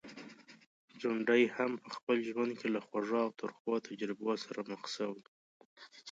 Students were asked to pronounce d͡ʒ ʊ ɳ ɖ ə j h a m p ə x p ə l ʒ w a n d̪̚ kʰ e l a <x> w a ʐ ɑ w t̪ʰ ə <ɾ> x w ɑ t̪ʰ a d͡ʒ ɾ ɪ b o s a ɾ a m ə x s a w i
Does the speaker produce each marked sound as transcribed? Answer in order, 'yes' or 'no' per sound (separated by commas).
yes, yes